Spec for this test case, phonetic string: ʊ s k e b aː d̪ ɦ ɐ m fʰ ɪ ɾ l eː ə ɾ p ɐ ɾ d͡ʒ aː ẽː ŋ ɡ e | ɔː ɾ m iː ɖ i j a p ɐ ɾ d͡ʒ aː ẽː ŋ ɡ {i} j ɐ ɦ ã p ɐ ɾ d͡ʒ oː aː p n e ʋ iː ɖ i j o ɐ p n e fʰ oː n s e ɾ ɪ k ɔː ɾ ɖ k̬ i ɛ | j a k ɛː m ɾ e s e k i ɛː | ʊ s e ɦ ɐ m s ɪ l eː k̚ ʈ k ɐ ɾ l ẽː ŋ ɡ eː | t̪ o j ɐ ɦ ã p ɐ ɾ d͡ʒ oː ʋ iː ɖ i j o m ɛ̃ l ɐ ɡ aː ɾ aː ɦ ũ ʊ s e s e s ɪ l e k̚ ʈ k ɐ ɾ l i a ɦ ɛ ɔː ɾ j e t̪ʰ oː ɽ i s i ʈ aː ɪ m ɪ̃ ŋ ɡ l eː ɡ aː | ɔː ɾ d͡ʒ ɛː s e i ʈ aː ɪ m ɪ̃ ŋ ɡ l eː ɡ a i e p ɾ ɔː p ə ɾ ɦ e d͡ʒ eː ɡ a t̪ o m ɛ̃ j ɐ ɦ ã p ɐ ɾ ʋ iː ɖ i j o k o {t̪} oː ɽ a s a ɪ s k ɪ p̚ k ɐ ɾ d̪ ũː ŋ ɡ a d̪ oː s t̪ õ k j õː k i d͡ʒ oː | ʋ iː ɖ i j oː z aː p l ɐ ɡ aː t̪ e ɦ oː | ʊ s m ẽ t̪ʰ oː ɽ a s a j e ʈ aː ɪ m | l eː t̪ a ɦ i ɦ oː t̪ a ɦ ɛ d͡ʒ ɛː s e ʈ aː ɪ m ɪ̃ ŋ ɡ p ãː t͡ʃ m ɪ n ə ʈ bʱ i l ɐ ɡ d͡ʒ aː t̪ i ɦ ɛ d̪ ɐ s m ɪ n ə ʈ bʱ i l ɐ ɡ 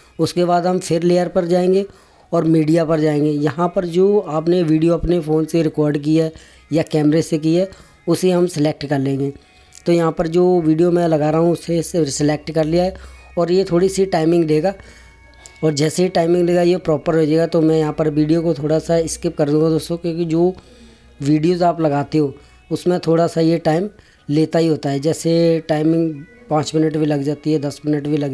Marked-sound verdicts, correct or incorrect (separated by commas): incorrect, incorrect